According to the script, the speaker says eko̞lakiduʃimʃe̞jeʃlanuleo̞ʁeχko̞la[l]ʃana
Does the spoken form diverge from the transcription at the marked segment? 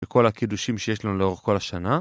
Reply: yes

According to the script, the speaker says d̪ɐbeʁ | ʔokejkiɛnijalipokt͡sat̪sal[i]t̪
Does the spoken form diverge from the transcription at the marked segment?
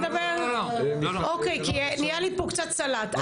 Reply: yes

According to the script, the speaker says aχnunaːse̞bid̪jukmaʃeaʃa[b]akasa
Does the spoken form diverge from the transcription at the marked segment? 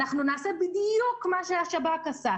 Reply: no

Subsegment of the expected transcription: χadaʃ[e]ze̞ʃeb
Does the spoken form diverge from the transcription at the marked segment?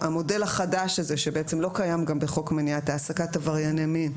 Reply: yes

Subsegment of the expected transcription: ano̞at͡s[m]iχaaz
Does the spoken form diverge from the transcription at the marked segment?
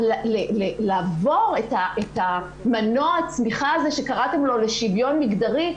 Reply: no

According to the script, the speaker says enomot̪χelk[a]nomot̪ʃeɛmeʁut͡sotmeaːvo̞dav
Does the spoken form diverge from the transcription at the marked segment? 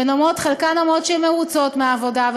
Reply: no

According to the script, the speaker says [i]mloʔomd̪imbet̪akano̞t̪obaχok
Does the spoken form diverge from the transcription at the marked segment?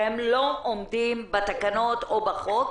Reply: yes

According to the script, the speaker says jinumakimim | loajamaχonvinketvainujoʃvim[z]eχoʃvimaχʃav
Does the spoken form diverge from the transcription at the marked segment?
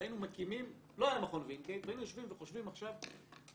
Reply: yes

